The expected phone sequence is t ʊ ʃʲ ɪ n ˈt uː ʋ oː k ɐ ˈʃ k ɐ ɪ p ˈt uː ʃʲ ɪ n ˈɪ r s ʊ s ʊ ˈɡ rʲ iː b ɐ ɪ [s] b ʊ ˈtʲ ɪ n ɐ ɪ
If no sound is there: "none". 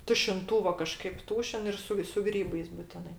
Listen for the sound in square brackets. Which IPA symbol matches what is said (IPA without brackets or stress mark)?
s